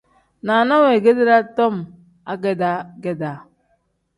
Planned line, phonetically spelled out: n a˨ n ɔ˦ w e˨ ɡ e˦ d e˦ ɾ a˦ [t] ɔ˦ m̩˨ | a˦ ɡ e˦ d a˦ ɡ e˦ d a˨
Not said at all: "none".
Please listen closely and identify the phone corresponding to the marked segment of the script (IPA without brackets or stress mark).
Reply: t